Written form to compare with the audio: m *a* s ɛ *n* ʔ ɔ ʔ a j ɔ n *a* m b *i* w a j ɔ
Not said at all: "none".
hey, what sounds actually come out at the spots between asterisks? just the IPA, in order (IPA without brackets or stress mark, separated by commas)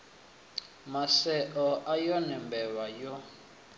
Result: a, none, ɛ, ɛ